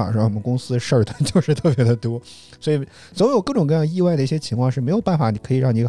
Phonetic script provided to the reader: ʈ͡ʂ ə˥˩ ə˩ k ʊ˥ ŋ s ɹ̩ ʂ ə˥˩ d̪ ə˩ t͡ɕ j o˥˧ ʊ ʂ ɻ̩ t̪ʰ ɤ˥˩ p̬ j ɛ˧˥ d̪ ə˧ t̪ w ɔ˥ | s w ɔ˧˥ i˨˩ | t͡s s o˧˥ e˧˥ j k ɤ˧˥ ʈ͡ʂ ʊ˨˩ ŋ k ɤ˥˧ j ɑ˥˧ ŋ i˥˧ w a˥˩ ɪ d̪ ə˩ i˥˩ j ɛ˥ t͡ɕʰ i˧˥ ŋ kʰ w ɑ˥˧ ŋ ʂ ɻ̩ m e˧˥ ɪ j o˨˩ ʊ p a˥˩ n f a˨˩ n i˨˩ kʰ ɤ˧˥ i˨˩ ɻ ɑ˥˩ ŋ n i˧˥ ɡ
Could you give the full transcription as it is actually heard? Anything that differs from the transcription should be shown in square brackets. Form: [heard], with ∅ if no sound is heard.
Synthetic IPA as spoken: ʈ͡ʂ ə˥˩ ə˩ k ʊ˥ ŋ s ɹ̩ ʂ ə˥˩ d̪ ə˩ t͡ɕ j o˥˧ ʊ ʂ ɻ̩ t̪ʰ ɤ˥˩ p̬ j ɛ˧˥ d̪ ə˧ t̪ w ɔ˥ | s w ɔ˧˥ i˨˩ | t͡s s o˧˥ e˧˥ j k [ɤ˥˩] ʈ͡ʂ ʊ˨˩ ŋ k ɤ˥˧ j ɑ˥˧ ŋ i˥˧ w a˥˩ ɪ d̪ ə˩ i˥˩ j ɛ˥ t͡ɕʰ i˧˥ ŋ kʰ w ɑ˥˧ ŋ ʂ ɻ̩ m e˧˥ ɪ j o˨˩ ʊ p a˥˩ n f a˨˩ n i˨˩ kʰ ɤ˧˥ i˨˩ ɻ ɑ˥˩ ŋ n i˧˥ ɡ